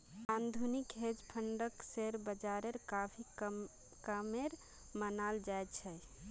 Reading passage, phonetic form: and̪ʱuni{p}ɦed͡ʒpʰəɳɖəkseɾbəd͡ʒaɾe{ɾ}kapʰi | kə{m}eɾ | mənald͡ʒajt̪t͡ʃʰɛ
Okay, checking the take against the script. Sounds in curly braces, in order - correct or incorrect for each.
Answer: incorrect: k, correct, correct

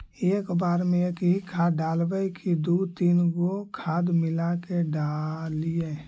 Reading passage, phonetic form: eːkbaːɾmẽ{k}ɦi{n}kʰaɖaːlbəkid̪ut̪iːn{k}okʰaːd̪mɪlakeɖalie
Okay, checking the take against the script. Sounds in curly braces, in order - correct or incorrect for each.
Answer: correct, incorrect: none, incorrect: ɡ

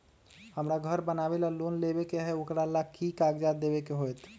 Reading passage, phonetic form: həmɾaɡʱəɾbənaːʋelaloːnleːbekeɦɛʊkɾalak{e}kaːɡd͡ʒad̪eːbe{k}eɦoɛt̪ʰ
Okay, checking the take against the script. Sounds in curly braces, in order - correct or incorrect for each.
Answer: incorrect: i, correct

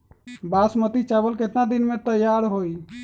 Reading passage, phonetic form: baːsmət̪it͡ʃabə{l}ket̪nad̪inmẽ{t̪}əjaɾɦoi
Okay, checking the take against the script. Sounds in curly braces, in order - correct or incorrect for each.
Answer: correct, correct

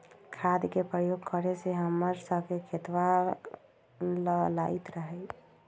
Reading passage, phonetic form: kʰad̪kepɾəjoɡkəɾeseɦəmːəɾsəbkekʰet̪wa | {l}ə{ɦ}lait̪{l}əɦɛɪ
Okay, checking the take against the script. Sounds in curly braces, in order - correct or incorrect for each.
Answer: correct, incorrect: none, incorrect: ɾ

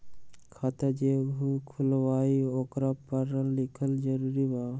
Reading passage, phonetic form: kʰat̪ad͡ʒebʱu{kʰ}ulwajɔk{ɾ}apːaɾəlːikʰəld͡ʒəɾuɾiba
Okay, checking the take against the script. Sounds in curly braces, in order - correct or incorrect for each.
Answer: correct, correct

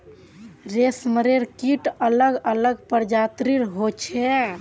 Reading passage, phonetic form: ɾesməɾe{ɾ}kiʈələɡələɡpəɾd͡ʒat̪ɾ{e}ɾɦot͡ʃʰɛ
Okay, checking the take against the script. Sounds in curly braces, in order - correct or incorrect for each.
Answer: correct, incorrect: i

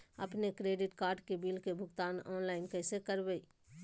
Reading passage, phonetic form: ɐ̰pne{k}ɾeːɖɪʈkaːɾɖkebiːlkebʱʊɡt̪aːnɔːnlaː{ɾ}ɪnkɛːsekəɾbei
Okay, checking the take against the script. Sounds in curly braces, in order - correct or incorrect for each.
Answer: correct, incorrect: none

